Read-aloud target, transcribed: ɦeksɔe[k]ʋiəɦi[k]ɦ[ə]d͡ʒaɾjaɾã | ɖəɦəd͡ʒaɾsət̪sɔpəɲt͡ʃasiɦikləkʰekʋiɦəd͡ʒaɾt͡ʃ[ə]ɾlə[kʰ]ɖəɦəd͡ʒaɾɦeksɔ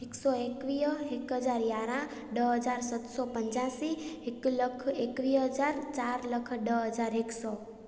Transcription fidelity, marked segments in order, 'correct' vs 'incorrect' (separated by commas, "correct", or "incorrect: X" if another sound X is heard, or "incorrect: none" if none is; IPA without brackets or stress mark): correct, correct, correct, incorrect: a, correct